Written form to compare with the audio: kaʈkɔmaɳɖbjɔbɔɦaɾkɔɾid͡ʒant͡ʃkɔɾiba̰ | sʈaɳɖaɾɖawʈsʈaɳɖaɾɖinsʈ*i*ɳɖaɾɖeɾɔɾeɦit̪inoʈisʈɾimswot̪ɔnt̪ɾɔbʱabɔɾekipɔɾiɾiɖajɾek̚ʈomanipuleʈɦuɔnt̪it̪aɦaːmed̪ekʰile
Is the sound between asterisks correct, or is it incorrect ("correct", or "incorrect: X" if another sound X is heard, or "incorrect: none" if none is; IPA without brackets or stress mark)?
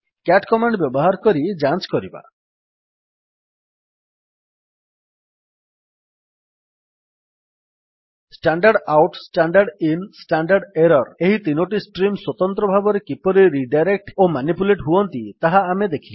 incorrect: a